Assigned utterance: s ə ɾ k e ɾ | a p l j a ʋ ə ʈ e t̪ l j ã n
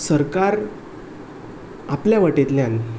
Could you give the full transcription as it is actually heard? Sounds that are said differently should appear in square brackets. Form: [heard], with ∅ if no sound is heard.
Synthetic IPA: s ə ɾ k [a] ɾ | a p l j a ʋ ə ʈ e t̪ l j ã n